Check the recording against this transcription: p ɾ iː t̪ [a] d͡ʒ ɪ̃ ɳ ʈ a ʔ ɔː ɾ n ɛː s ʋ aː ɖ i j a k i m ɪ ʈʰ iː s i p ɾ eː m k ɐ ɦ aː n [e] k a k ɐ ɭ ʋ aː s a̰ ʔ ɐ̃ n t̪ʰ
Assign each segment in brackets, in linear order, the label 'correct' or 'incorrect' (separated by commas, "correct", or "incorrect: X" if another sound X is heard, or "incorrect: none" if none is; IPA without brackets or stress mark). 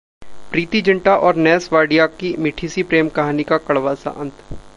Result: incorrect: i, incorrect: i